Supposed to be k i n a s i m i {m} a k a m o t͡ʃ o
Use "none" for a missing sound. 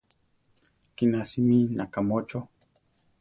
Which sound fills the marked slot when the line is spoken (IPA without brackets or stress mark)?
n